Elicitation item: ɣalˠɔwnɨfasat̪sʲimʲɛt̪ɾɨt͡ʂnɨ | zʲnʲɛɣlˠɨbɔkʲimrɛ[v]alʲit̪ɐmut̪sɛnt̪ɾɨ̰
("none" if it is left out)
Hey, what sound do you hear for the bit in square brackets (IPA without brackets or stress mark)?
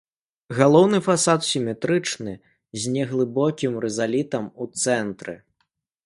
z